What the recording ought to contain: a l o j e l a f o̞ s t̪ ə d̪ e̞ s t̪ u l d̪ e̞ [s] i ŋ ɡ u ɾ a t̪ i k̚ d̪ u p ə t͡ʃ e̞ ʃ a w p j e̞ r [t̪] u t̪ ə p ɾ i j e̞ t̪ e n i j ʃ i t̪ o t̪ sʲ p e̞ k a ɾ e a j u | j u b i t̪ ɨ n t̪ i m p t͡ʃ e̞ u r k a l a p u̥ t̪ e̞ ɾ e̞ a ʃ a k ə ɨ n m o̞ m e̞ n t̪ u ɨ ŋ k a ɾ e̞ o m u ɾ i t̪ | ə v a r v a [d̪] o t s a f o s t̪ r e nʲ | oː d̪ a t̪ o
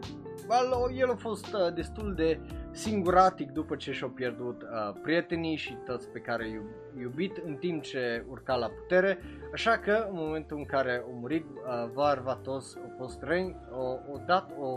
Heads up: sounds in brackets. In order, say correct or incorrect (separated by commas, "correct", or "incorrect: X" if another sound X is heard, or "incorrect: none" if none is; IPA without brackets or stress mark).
correct, incorrect: d̪, incorrect: t̪